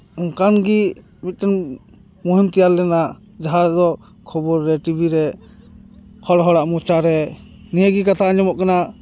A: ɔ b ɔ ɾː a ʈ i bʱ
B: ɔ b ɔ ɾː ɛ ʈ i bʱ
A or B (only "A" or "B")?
B